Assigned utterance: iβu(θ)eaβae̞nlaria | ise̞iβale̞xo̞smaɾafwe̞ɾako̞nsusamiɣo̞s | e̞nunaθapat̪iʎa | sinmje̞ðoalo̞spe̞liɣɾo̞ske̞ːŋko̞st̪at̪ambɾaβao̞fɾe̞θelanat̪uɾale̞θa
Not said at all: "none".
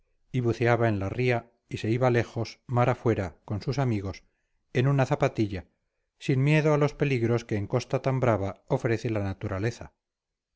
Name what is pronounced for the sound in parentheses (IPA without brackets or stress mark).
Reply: θ